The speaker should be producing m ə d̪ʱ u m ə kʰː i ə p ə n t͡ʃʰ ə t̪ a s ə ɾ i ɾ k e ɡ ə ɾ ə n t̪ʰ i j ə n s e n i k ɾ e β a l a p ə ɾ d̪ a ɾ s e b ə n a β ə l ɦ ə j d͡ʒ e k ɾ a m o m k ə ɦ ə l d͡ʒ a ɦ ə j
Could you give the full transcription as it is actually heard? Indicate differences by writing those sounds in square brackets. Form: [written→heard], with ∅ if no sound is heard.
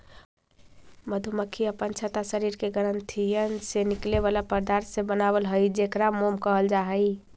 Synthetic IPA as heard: m ə d̪ʱ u m ə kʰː i ə p ə n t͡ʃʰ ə t̪ a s ə ɾ i ɾ k e ɡ ə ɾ ə n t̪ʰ i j ə n s e n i k [ɾ→l] e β a l a p ə ɾ d̪ a ɾ s e b ə n a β ə l ɦ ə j d͡ʒ e k ɾ a m o m k ə ɦ ə l d͡ʒ a ɦ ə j

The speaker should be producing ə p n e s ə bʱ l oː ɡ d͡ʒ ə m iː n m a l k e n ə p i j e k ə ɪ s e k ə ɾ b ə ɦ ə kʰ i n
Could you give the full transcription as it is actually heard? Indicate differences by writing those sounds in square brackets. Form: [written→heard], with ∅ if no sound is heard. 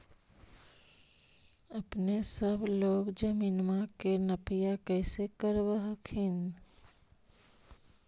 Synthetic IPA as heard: ə p n e s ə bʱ l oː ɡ d͡ʒ ə m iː n m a [l→∅] k e n ə p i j [e→a] k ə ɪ s e k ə ɾ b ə ɦ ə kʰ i n

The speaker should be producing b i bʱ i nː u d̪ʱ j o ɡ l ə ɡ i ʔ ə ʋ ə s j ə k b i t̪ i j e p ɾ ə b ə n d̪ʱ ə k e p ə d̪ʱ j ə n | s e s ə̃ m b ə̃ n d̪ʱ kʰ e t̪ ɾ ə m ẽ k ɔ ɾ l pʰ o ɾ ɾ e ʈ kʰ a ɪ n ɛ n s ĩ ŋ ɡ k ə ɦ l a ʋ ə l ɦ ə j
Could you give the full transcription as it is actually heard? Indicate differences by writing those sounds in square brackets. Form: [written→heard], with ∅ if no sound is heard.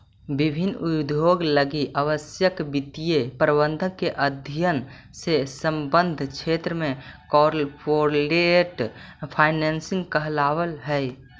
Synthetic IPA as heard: b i bʱ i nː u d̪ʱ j o ɡ l ə ɡ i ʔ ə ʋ ə s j ə k b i t̪ i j e p ɾ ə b ə n d̪ʱ ə k e [p→ʔ] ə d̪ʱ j ə n | s e s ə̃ m b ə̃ n d̪ʱ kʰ e t̪ ɾ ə m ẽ k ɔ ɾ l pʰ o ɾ [ɾ→l] e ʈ [kʰ→pʰ] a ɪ n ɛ n s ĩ ŋ ɡ k ə ɦ l a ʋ ə l ɦ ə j

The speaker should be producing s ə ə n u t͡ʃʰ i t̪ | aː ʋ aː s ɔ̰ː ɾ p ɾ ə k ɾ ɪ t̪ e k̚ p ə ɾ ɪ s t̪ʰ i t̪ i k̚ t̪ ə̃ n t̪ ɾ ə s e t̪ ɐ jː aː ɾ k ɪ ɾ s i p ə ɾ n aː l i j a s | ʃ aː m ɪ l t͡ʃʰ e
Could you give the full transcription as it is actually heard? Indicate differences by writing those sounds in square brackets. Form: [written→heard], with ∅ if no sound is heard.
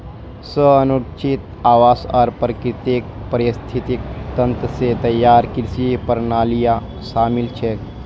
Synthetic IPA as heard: s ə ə n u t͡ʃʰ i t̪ | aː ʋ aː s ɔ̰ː ɾ p ɾ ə k ɾ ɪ t̪ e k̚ p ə ɾ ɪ s t̪ʰ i t̪ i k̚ t̪ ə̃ n t̪ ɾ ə s e t̪ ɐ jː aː ɾ k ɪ ɾ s i p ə ɾ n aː l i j a [s→∅] | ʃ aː m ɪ l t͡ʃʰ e

